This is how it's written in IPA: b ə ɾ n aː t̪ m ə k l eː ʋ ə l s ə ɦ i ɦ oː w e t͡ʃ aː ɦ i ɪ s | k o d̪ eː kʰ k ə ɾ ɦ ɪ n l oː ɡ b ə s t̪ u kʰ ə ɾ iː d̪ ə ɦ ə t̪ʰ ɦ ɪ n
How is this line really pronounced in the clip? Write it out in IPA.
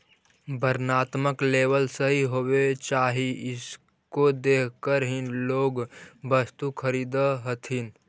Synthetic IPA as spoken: b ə ɾ n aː t̪ m ə k l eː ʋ ə l s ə ɦ i ɦ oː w e t͡ʃ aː ɦ i ɪ s | k o d̪ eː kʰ k ə ɾ ɦ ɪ n l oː ɡ b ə s t̪ u kʰ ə ɾ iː d̪ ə ɦ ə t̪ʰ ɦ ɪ n

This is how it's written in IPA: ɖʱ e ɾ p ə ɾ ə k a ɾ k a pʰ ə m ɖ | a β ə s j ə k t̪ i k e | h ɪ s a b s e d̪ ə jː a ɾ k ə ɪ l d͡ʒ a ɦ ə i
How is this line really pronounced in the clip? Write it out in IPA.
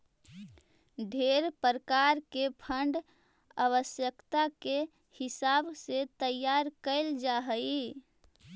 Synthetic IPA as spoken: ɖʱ e ɾ p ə ɾ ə k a ɾ k e pʰ ə ɳ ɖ | a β ə s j ə k t̪ a k e | h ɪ s a b s e t̪ ə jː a ɾ k ə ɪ l d͡ʒ a ɦ ə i

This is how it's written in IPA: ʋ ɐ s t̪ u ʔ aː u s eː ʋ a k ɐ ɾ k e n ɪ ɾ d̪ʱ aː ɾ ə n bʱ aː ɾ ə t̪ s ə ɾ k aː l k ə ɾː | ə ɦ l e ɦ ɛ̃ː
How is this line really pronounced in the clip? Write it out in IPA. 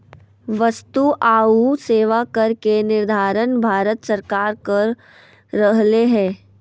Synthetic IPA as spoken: ʋ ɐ s t̪ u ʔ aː u s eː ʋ a k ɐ ɾ k e n ɪ ɾ d̪ʱ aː ɾ ə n bʱ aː ɾ ə t̪ s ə ɾ k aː ɾ k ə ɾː | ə ɦ l e ɦ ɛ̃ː

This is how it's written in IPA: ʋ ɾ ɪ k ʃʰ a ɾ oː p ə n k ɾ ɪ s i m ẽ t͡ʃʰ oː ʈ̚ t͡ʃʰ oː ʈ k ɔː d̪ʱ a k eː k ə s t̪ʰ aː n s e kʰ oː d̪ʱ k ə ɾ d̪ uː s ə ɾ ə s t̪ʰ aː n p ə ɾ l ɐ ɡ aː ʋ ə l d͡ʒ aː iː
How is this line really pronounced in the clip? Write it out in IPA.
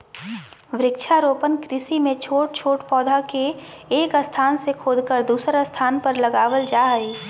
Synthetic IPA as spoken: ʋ ɾ ɪ k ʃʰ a ɾ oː p ə n k ɾ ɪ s i m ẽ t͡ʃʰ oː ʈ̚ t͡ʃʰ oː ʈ p ɔː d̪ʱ a k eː k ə s t̪ʰ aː n s e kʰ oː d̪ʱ k ə ɾ d̪ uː s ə ɾ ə s t̪ʰ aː n p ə ɾ l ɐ ɡ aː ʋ ə l d͡ʒ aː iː

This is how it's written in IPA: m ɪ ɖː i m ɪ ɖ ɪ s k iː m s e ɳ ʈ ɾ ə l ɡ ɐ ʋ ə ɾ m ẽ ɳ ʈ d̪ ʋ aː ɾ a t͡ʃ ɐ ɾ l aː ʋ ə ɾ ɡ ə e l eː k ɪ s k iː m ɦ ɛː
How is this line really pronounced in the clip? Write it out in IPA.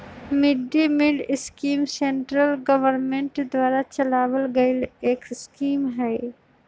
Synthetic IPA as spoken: m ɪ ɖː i m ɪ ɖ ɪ s k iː m s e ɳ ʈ ɾ ə l ɡ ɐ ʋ ə ɾ m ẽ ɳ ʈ d̪ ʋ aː ɾ a t͡ʃ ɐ l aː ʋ ə l ɡ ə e l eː k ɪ s k iː m ɦ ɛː

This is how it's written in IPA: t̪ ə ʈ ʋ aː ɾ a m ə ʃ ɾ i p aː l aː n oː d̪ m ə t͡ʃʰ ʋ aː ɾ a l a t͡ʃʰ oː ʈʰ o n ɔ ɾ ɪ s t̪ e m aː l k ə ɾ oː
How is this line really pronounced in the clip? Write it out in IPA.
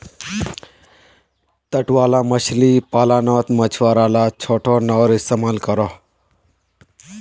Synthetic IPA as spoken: t̪ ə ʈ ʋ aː l a m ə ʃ l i p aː l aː n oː t̪ m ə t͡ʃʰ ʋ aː ɾ a l a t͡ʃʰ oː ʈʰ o n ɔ ɾ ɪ s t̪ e m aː l k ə ɾ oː

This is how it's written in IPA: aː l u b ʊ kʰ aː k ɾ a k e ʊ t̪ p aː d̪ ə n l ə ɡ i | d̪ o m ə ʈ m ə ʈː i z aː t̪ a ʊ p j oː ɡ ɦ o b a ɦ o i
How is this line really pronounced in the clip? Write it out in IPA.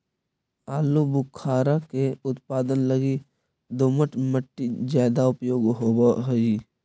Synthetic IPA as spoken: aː l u b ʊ kʰ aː ɾ a k e ʊ t̪ p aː d̪ ə n l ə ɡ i | d̪ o m ə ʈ m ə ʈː i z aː d̪ a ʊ p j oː ɡ ɦ o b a ɦ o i

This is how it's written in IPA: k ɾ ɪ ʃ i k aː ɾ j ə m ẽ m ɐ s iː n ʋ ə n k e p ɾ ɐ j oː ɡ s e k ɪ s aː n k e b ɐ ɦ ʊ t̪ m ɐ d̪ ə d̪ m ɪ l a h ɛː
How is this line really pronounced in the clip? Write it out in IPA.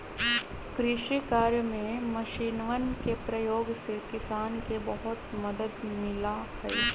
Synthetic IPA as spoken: k ɾ ɪ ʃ i k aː ɾ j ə m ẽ m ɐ ʃ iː n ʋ ə n k e p ɾ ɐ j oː ɡ s e k ɪ s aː n k e b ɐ ɦ ʊ t̪ m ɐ d̪ ə d̪ m ɪ l a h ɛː

